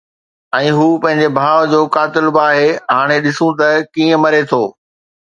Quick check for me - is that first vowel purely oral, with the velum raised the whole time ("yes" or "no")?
no